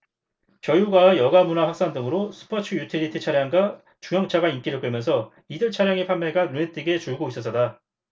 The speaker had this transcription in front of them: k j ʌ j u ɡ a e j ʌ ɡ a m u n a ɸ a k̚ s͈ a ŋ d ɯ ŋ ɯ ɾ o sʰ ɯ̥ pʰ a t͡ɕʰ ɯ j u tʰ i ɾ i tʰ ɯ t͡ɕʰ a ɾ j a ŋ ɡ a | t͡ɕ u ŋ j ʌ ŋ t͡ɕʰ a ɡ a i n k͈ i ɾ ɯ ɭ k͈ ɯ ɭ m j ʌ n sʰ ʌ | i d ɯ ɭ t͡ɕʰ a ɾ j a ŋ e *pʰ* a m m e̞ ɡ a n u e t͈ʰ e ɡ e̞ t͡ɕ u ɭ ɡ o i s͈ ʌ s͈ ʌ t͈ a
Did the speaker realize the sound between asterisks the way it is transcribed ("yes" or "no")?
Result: yes